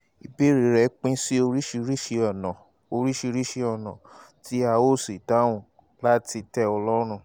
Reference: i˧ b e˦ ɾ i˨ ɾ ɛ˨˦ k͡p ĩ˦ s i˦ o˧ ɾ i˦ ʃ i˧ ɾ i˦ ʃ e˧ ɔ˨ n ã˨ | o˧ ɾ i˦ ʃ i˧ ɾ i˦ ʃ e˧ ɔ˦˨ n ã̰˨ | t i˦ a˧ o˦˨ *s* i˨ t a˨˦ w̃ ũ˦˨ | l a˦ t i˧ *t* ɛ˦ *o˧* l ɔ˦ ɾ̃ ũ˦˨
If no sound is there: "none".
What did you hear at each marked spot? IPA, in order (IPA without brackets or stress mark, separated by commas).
s, t, ɔ˧